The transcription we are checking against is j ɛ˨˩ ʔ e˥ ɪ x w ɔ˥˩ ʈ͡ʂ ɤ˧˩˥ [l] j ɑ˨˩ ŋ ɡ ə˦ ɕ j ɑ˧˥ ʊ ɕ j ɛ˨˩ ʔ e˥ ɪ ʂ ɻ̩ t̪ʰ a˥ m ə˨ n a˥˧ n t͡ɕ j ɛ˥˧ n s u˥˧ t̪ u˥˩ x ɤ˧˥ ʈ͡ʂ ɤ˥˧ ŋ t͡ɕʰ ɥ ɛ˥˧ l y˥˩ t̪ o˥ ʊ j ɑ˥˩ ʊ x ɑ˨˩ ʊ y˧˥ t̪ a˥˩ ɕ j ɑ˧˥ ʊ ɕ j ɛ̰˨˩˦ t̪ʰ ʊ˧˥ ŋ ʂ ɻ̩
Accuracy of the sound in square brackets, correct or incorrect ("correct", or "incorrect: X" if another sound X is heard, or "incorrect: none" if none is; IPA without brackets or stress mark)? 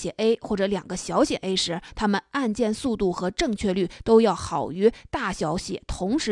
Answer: correct